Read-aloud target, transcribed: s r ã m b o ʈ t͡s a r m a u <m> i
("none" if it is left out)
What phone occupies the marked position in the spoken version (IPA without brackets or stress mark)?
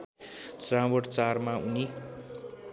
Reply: n